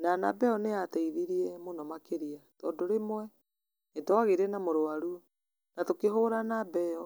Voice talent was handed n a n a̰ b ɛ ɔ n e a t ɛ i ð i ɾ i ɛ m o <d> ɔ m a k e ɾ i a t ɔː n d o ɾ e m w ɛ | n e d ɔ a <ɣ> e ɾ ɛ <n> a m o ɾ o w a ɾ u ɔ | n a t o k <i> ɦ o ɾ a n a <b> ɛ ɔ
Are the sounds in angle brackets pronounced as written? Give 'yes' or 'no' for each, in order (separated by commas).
no, yes, yes, no, yes